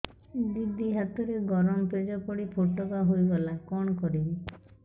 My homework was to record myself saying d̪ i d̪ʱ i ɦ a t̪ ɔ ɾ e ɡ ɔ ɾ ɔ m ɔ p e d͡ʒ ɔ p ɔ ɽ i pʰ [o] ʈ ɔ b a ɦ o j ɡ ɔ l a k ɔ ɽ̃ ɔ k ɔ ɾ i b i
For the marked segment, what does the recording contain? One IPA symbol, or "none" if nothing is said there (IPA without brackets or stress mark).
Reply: o